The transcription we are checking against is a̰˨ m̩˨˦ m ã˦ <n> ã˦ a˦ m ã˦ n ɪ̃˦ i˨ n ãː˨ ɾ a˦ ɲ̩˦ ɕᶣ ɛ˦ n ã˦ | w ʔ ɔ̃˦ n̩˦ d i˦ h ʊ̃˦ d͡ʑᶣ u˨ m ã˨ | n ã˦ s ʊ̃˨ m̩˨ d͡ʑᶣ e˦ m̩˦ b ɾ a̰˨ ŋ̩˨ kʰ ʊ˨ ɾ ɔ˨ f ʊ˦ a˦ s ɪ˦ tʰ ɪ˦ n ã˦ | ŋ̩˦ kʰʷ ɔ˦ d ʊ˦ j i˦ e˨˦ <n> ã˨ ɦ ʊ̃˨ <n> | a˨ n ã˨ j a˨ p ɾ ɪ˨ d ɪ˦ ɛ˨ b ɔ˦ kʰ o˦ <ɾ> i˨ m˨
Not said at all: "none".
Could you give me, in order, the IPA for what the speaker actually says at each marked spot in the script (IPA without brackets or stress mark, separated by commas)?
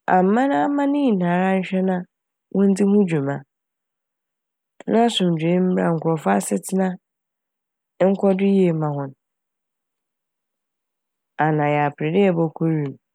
n, m, n, ɾ